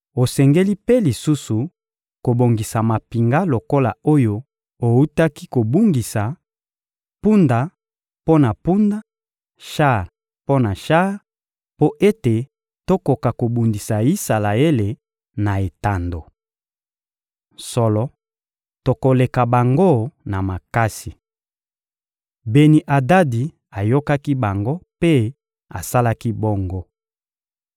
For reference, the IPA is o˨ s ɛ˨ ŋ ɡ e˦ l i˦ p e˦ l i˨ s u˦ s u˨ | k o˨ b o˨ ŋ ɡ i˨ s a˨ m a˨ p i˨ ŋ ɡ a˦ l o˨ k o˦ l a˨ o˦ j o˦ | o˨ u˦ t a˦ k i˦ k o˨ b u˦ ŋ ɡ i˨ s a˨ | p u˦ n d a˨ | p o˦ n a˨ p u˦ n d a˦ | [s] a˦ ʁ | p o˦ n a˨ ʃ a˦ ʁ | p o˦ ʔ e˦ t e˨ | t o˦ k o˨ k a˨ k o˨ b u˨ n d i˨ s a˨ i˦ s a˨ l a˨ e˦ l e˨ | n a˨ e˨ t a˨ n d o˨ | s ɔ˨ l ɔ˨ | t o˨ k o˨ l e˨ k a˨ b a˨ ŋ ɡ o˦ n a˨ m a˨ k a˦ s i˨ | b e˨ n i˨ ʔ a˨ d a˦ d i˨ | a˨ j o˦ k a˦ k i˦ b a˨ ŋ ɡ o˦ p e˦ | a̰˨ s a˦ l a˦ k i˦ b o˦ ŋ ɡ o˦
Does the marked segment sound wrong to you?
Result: yes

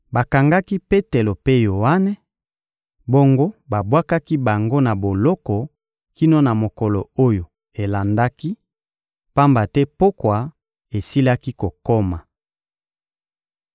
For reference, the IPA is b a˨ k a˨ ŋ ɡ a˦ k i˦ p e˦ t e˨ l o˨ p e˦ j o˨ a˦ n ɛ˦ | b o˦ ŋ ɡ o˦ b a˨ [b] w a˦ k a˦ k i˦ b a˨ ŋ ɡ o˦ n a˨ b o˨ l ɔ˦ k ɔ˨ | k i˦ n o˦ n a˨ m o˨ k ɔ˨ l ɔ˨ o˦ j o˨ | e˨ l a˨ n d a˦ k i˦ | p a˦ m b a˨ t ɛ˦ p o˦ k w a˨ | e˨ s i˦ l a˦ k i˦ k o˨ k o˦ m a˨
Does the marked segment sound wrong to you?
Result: no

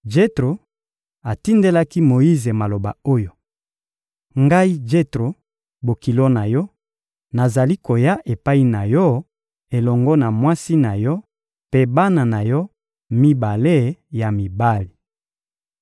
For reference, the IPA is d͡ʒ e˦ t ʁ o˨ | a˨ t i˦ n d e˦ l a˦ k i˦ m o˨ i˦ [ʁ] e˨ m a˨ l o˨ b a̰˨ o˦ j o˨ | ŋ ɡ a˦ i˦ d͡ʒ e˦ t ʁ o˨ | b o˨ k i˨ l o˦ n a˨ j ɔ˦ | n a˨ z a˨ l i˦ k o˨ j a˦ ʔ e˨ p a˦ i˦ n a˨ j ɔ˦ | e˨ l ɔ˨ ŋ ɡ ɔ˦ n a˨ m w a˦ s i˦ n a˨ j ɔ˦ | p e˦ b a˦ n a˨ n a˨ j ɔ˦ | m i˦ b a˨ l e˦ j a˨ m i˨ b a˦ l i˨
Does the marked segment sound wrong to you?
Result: yes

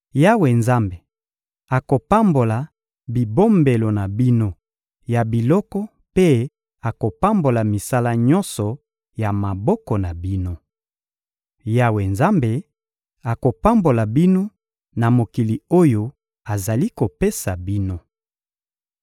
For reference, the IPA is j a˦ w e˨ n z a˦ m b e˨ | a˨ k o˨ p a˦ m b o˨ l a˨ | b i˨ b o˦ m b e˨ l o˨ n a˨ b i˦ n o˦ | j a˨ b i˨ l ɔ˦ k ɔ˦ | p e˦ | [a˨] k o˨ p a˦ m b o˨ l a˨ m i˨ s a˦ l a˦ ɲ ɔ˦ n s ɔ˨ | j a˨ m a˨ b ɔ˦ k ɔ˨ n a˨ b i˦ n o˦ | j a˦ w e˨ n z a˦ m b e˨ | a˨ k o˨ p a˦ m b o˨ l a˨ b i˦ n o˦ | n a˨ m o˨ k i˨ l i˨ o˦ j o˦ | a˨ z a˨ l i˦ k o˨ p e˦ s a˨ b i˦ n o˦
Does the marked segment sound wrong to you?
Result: no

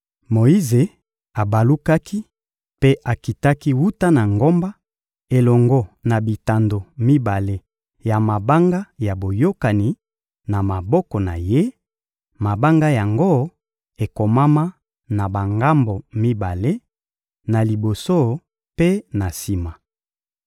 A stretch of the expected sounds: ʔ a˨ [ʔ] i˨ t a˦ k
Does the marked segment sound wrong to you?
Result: yes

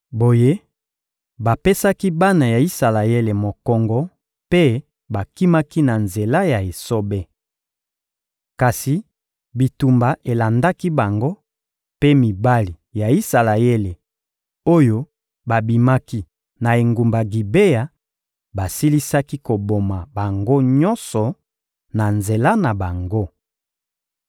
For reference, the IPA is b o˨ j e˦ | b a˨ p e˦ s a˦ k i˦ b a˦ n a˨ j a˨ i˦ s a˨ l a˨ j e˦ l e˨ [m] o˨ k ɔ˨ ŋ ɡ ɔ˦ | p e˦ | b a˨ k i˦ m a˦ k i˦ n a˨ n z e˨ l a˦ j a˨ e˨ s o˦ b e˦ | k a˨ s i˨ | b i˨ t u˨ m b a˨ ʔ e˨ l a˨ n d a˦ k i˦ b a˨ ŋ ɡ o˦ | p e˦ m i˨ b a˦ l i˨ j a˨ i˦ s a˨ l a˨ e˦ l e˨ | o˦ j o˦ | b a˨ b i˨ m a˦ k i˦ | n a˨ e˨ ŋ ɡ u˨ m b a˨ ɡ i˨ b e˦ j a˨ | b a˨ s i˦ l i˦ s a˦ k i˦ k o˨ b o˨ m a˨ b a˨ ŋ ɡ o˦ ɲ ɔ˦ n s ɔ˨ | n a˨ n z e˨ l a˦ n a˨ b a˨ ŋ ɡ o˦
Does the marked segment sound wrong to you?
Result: no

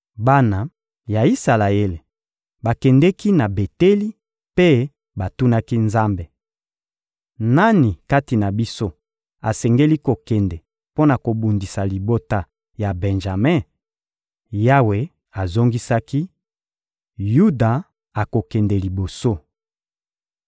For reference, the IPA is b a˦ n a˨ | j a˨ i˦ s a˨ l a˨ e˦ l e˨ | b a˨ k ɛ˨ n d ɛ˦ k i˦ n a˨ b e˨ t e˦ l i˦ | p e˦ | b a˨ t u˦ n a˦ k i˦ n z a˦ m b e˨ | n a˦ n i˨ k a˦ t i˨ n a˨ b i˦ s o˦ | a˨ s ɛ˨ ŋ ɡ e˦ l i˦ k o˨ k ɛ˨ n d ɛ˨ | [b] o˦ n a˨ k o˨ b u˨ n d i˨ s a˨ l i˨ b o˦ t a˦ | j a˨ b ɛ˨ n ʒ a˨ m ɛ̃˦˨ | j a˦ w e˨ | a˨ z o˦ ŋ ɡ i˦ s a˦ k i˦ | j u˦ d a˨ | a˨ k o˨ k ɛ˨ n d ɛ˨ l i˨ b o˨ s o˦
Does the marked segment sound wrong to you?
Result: yes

